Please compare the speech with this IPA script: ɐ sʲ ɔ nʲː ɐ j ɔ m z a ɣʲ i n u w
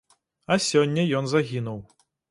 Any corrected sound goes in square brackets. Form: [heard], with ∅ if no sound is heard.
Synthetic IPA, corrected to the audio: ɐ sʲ ɔ nʲː ɐ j ɔ [n] z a ɣʲ i n u w

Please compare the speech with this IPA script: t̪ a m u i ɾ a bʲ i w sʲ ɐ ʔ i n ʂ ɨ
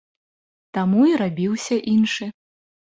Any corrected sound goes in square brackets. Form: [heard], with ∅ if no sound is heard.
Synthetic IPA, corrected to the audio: t̪ a m u i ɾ a bʲ i w sʲ ɐ ʔ i n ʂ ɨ

